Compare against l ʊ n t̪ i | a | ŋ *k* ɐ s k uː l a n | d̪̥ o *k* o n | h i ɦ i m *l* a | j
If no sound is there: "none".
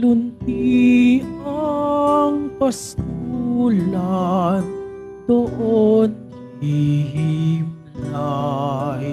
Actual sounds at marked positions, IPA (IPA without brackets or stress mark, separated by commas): p, ʔ, l